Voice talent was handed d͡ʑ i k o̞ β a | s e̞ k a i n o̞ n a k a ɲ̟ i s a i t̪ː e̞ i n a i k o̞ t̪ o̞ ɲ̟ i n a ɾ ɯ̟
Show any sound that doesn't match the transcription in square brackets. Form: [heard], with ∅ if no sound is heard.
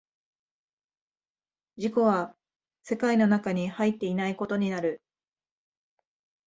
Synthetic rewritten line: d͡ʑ i k o̞ β a | s e̞ k a i n o̞ n a k a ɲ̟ i [h] a i t̪ː e̞ i n a i k o̞ t̪ o̞ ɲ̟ i n a ɾ ɯ̟

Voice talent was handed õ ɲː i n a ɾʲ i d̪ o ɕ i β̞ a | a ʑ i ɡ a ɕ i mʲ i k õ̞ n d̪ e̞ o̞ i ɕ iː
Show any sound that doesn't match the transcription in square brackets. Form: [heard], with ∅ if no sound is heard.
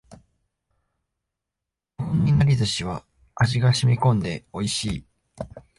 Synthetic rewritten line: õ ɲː i n a ɾʲ i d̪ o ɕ i β̞ a | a ʑ i ɡ a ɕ i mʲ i k õ̞ n d̪ e̞ o̞ i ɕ iː

